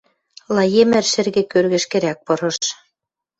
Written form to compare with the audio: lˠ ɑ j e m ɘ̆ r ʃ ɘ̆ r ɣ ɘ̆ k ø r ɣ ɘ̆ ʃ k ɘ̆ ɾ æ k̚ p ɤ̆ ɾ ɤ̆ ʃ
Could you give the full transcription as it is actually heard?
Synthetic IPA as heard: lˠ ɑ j e m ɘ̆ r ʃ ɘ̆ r ɣ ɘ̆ k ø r ɣ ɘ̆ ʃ k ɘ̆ ɾ æ k̚ p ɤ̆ ɾ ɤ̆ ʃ